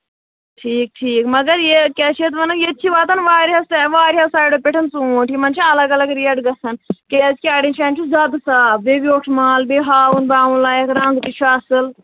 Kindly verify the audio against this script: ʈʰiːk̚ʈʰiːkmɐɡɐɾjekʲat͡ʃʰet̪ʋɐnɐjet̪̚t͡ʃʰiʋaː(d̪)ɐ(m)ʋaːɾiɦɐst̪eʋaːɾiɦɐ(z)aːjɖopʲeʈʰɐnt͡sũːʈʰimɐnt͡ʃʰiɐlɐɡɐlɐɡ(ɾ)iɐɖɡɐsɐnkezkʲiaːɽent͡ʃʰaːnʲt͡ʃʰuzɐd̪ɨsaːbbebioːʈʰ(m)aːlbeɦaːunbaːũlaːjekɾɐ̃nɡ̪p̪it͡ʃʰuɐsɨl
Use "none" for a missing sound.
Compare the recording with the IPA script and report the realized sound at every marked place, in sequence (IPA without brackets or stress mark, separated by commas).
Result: t̪, n, s, ɾ, m